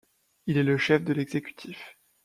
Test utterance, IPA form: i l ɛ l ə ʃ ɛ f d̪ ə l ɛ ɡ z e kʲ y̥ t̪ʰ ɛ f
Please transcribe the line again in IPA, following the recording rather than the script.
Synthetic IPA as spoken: i l ɛ l ə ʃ ɛ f d̪ ə l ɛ ɡ z e kʲ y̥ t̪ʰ i f

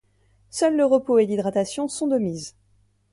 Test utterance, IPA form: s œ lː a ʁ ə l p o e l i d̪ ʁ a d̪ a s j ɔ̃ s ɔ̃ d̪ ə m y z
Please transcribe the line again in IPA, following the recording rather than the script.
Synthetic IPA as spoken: s œ lː ə ʁ ə p o e l i d̪ ʁ a t̪ a s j ɔ̃ s ɔ̃ d̪ ə m i z

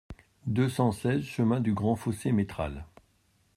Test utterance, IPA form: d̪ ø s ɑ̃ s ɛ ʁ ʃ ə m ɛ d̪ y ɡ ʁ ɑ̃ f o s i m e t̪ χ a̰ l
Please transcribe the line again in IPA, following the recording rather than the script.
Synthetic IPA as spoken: d̪ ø s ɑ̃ s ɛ z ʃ ə m ɛ̃ d̪ y ɡ ʁ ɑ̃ f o s e m e t̪ χ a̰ l

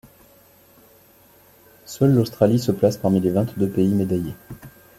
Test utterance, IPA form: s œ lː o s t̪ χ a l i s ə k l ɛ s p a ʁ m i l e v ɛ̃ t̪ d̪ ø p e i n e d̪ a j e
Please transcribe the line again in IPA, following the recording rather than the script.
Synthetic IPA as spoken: s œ lː o s t̪ χ a l i s ə p l a s p a ʁ m i l e v ɛ̃ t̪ d̪ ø p e i m e d̪ a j e

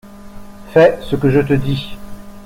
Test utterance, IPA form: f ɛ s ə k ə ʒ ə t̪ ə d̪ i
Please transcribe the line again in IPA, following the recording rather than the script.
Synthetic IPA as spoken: f ɛ s ə k ə ʒ ə t̪ ə d̪ i

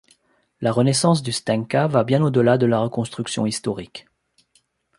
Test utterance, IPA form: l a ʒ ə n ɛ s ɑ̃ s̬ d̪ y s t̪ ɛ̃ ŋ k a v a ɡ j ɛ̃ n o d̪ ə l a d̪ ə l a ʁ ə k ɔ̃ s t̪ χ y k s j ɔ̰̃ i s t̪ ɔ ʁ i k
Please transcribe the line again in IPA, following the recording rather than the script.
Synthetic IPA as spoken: l a ʁ ə n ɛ s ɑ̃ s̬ d̪ y s t̪ ɛ̃ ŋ k a v a b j ɛ̃ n o d̪ ə l a d̪ ə l a ʁ ə k ɔ̃ s t̪ χ y k s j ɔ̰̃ i s t̪ ɔ ʁ i k

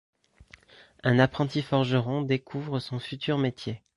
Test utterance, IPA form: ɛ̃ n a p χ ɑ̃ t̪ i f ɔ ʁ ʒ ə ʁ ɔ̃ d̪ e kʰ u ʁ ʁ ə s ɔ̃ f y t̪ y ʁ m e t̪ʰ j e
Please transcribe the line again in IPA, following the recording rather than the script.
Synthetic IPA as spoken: ɛ̃ n a p χ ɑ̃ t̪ i f ɔ ʁ ʒ ə ʁ ɔ̃ d̪ e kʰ u v ʁ ə s ɔ̃ f y t̪ y ʁ m e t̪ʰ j e

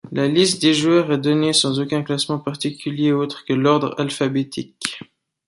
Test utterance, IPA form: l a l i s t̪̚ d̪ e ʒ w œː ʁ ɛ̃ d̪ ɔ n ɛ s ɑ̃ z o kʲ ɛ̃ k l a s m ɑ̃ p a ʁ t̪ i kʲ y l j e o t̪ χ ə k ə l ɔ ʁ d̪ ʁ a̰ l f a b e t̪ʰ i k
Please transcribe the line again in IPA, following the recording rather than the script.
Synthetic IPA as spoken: l a l i s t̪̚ d̪ e ʒ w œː ʁ ɛ d̪ ɔ n e s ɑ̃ z o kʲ ɛ̃ k l a s m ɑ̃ p a ʁ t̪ i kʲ y l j e o t̪ χ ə k ə l ɔ ʁ d̪ ʁ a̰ l f a b e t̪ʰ i k

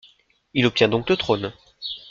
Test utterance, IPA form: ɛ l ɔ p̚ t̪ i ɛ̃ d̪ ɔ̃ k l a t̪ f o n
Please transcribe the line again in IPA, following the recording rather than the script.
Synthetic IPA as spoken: i l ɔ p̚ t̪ j ɛ̃ d̪ ɔ̃ k l ə t̪ χ o n

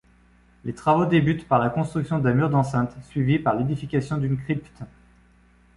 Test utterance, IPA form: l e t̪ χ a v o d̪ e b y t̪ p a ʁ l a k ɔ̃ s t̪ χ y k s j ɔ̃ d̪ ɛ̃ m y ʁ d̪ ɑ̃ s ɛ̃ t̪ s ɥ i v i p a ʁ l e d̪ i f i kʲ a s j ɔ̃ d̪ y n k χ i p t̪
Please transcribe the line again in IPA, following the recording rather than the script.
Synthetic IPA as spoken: l e t̪ χ a v o d̪ e b y t̪ p a ʁ l a k ɔ̃ s t̪ χ y k s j ɔ̃ d̪ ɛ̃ m y ʁ d̪ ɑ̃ s ɛ̃ t̪ s ɥ i v i p a ʁ l e d̪ i f i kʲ a s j ɔ̃ d̪ y n k χ i p t̪

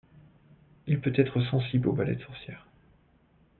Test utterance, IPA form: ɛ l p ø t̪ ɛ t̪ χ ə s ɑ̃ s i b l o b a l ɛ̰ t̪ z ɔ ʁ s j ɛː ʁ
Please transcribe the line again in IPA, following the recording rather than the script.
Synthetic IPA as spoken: i l p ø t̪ ɛ t̪ χ ə s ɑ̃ s i b l o b a l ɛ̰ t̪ s ɔ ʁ s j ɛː ʁ

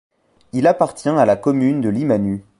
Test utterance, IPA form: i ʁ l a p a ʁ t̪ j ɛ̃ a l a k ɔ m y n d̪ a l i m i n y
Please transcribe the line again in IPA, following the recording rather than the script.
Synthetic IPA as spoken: i l a p a ʁ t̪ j ɛ̃ a l a k ɔ m y n d̪ ə l i m a n y

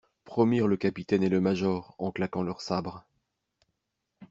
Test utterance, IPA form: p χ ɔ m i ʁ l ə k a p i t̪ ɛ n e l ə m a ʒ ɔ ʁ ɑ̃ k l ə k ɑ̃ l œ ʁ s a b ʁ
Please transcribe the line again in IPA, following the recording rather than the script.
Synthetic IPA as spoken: p χ ɔ m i ʁ l ə k a p i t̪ ɛ n e l ə m a ʒ ɔ ʁ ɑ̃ k l a k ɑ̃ l œ ʁ s a b ʁ

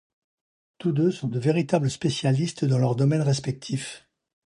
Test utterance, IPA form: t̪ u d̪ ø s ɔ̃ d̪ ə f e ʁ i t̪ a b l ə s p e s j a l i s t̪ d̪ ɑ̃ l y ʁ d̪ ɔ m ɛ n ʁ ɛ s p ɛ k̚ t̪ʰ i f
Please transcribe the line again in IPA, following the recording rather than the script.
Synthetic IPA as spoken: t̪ u d̪ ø s ɔ̃ d̪ ə v e ʁ i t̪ a b l ə s p e s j a l i s t̪ d̪ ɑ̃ l œ ʁ d̪ ɔ m ɛ n ʁ ɛ s p ɛ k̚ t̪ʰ i f

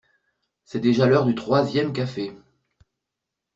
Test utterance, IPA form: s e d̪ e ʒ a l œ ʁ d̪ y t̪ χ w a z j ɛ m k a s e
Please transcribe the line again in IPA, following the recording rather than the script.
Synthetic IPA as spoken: s ɛ d̪ e ʒ a l œ ʁ d̪ y t̪ χ w a z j ɛ m k a f e

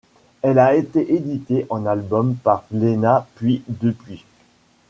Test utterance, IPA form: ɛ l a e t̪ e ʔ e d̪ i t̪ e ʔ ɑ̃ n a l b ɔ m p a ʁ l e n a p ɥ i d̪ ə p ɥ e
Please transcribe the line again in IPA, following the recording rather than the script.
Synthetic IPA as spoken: ɛ l a e t̪ e ʔ e d̪ i t̪ e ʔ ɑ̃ n a l b ɔ m p a ʁ l e n a p ɥ i d̪ ə p ɥ i

